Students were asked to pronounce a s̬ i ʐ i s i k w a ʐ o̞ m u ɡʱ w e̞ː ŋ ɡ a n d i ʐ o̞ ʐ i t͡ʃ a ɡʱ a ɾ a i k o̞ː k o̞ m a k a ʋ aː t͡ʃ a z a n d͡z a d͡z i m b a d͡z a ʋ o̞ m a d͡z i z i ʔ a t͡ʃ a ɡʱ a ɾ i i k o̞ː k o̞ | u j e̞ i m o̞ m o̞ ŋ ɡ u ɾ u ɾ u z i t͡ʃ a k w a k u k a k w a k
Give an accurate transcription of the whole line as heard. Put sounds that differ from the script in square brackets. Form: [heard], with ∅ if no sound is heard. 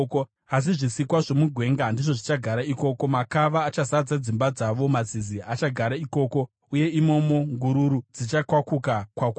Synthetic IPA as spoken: a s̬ i ʐ i s i k w a ʐ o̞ m u ɡʱ w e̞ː ŋ ɡ a n d i ʐ o̞ ʐ i t͡ʃ a ɡʱ a ɾ a i k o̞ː k o̞ m a k a ʋ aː t͡ʃ a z a [∅] d͡z a d͡z i m b a d͡z a ʋ o̞ m a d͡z i z i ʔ a t͡ʃ a ɡʱ a ɾ [a] i k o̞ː k o̞ | u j e̞ i m o̞ m o̞ ŋ ɡ u ɾ u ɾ u [d͡z] i t͡ʃ a k w a k u k a k w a k